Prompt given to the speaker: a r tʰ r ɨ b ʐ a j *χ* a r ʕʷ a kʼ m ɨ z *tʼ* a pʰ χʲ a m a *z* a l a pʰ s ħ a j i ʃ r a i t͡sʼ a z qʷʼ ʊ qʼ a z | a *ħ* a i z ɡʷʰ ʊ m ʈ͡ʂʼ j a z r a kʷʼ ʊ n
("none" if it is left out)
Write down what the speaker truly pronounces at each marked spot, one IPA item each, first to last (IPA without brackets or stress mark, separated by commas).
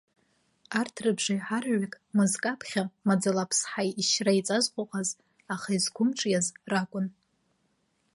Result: ħ, kʼ, d͡z, χ